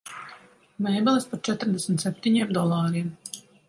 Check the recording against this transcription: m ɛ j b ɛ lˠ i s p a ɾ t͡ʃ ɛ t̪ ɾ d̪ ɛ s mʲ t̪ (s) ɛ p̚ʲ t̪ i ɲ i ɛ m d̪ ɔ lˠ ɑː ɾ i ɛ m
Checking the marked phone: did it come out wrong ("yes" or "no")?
no